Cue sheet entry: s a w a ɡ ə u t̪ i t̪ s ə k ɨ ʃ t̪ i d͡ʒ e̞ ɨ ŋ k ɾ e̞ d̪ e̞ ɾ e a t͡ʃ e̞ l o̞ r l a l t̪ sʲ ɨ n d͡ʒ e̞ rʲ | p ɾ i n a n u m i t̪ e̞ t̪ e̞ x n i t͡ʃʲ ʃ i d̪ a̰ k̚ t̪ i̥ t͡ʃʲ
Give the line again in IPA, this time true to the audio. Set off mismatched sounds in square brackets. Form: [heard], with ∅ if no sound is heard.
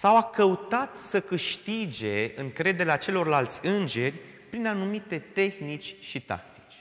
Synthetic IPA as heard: s a w a [k] ə u t̪ [a] t̪ s ə k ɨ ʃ t̪ i d͡ʒ e̞ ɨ ŋ k ɾ e̞ d̪ e̞ ɾ e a t͡ʃ e̞ l o̞ r l a l t̪ sʲ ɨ n d͡ʒ e̞ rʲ | p ɾ i n a n u m i t̪ e̞ t̪ e̞ x n i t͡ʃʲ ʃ i [t̪] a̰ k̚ t̪ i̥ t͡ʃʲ